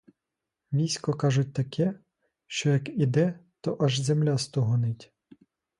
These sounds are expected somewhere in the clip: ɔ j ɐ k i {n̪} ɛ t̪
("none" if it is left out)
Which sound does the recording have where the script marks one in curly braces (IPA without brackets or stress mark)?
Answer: d̪